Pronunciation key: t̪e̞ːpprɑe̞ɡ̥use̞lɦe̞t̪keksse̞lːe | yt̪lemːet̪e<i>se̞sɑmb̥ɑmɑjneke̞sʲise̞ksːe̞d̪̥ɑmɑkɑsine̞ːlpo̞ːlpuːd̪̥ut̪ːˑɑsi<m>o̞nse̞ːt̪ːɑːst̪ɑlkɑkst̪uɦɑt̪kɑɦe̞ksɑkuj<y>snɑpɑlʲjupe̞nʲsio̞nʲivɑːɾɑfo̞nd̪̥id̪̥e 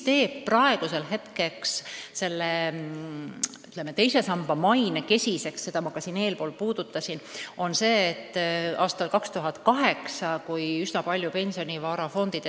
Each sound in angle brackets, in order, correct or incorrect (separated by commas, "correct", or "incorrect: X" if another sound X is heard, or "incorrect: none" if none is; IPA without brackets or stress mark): incorrect: j, incorrect: n, correct